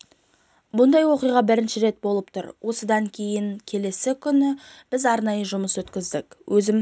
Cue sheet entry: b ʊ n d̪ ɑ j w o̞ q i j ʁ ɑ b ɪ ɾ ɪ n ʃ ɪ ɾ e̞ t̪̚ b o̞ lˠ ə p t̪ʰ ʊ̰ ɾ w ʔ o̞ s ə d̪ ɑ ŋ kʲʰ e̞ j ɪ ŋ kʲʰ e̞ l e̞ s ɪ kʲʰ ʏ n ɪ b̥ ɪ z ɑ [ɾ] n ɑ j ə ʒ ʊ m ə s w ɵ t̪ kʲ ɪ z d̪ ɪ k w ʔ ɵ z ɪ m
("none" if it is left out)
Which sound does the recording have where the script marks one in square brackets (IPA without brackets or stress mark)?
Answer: ɾ